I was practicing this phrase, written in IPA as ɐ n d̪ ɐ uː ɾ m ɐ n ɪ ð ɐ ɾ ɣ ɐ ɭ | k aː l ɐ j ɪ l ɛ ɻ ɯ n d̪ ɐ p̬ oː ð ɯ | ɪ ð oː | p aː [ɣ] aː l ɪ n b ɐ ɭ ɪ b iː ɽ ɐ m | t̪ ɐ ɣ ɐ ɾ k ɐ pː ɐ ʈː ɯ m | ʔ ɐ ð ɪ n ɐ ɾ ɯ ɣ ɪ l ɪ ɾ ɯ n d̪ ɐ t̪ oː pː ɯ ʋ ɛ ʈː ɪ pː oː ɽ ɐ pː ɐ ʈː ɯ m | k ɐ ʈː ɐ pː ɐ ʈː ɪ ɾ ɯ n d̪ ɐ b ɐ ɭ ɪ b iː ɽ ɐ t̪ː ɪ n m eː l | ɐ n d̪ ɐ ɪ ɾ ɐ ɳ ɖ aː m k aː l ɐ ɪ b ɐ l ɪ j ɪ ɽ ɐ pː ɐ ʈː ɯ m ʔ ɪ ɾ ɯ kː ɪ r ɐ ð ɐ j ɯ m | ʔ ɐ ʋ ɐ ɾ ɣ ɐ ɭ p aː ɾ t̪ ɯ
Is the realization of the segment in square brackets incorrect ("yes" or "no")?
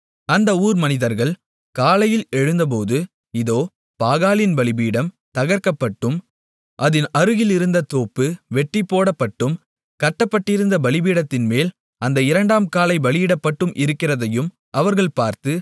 no